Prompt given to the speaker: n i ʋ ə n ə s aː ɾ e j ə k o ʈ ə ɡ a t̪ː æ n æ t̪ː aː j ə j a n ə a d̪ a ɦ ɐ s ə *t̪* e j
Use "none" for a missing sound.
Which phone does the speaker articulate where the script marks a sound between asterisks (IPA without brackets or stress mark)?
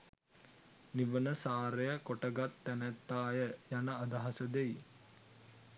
d̪